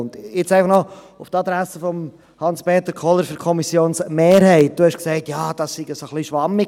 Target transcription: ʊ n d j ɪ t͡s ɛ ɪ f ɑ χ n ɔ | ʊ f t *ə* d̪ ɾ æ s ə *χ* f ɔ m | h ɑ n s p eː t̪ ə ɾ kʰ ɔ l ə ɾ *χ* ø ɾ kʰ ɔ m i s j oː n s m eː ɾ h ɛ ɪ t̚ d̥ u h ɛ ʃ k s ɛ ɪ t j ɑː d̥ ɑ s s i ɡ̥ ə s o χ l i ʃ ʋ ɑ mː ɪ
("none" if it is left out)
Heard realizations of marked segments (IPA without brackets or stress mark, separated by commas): ɑ, none, f